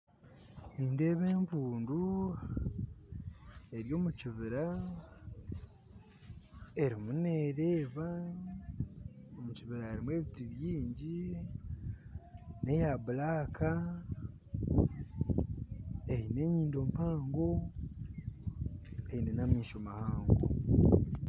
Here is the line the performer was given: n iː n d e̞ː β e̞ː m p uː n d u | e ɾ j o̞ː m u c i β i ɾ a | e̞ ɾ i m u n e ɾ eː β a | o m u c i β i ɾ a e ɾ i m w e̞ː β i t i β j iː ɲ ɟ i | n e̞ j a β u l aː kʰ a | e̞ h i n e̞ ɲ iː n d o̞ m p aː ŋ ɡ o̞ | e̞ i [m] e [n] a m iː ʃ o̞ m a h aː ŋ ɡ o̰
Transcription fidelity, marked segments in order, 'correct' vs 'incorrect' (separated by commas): incorrect, correct